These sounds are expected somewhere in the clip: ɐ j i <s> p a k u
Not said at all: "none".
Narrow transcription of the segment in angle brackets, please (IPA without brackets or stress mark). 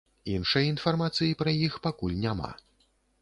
x